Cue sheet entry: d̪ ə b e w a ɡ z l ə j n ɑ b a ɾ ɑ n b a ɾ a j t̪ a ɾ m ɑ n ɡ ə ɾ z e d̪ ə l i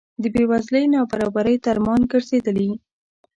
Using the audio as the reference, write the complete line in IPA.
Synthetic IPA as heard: d̪ ə b e w a z l ə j n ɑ b a ɾ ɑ b a ɾ ə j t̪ a ɾ m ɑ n ɡ ə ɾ z e d̪ ə l i